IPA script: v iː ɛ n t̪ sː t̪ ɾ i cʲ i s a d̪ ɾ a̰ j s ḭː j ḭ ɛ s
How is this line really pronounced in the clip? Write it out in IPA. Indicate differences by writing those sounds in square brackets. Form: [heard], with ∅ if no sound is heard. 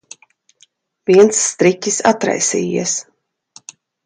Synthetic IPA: v [i] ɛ n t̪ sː t̪ ɾ i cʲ i s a [t̪] ɾ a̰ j s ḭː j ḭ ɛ s